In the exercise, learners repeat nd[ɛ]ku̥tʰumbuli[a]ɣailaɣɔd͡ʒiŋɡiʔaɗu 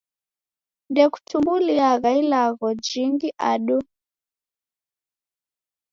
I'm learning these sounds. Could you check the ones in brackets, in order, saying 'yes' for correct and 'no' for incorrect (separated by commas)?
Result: yes, yes